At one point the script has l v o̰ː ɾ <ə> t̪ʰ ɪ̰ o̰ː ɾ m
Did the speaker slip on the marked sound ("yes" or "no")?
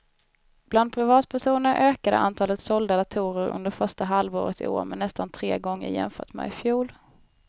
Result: no